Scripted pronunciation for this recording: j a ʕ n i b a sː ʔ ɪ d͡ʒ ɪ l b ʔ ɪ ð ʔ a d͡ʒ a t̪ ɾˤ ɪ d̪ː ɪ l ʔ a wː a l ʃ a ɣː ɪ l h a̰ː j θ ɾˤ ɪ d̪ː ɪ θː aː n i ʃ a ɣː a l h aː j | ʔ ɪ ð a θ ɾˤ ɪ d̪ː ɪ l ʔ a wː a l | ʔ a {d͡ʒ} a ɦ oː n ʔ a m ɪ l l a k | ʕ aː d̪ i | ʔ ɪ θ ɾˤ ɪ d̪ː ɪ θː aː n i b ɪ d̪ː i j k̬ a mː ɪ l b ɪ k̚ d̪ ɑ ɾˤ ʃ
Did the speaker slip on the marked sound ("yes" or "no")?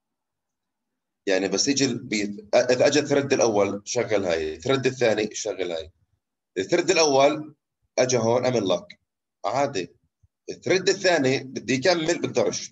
no